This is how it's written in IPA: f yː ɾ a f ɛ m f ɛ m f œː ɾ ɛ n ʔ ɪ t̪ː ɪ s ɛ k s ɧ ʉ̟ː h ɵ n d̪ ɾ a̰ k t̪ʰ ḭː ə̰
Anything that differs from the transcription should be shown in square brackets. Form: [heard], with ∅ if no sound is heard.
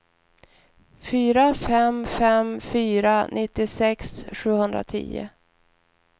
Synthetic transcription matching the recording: f yː ɾ a f ɛ m f ɛ m f [yː] ɾ [a] n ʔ ɪ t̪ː ɪ s ɛ k s ɧ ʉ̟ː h ɵ n d̪ ɾ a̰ [∅] t̪ʰ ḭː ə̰